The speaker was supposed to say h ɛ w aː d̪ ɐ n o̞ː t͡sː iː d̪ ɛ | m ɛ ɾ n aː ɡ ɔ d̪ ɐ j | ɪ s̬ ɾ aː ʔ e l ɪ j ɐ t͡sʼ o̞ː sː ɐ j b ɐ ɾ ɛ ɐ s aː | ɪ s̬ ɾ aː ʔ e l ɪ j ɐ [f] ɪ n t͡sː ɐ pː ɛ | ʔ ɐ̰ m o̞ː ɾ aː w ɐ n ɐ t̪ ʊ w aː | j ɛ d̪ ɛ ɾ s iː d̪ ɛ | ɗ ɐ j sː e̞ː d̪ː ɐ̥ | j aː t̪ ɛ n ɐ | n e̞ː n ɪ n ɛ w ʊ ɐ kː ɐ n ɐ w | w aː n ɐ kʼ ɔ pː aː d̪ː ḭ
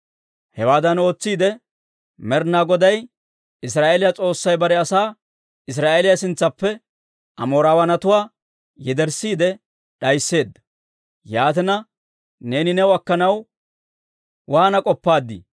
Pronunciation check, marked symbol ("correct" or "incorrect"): incorrect